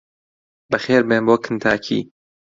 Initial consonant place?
labial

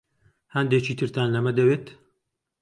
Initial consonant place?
glottal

